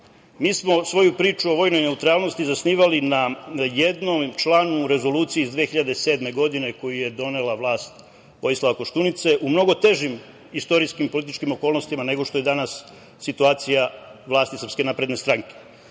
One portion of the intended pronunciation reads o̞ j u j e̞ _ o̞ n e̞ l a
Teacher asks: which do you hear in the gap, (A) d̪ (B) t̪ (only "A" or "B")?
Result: A